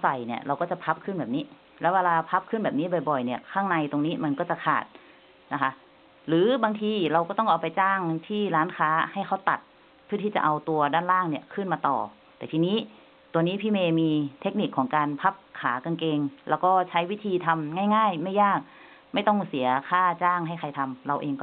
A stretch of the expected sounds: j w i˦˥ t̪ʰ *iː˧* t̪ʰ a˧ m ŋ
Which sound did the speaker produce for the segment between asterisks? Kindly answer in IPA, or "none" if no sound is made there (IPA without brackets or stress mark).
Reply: iː˧